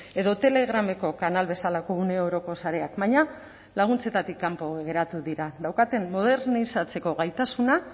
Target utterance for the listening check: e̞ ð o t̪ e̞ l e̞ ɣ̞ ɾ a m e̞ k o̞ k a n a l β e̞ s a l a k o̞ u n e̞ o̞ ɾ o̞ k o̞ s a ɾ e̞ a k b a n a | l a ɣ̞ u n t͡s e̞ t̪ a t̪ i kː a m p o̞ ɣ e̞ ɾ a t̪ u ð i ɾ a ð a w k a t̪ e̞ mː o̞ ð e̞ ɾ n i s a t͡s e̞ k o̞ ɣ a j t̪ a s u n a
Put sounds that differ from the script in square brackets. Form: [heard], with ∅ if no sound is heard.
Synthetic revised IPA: e̞ ð o t̪ e̞ l e̞ ɣ̞ ɾ a m e̞ k o̞ k a n a l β e̞ s a l a k o̞ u n e̞ o̞ ɾ o̞ k o̞ s a ɾ e̞ a k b a [ɲ] a | l a ɣ̞ u n t͡s e̞ t̪ a t̪ i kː a m p o̞ ɣ e̞ ɾ a t̪ u ð i ɾ a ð a w k a t̪ e̞ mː o̞ ð e̞ ɾ n i s a t͡s e̞ k o̞ ɣ a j t̪ a s u n a